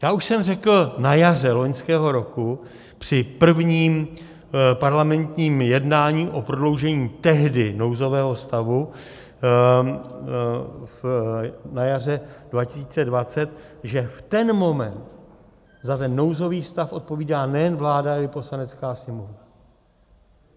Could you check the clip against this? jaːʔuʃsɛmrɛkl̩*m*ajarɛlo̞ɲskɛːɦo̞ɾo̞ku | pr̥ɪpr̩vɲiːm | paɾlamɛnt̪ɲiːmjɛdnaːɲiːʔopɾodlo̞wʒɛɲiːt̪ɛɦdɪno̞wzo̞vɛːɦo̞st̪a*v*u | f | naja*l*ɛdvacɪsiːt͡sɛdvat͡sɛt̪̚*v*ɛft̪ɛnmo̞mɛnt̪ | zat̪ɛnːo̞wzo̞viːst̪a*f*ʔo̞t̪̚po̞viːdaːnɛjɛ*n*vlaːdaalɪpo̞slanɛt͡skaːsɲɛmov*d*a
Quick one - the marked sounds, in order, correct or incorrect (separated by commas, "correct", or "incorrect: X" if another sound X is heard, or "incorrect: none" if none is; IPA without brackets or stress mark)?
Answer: incorrect: n, correct, incorrect: r, incorrect: ʒ, correct, correct, incorrect: n